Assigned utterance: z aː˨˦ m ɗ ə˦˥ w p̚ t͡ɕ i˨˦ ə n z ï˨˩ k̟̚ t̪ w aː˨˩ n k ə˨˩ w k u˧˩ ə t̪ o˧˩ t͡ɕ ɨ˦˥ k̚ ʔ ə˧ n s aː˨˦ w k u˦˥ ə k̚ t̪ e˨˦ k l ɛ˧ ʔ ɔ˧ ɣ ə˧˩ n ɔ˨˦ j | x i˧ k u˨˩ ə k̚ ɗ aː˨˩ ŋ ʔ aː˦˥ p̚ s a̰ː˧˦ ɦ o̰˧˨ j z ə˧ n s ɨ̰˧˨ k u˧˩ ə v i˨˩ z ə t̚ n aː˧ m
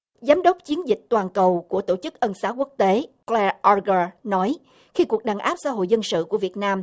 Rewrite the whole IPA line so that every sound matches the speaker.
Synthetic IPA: z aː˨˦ m ɗ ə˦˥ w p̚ t͡ɕ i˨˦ ə n z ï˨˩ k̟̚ t̪ w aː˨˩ n k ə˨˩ w k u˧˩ ə t̪ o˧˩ t͡ɕ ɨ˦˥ k̚ ʔ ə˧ n s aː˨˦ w k u˦˥ ə k̚ t̪ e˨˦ k l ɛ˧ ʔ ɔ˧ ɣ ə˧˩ n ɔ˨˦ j | x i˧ k u˨˩ ə k̚ ɗ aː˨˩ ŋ ʔ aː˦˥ p̚ s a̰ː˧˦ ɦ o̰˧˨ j z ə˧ n s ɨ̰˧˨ k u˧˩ ə v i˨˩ ə t̚ n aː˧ m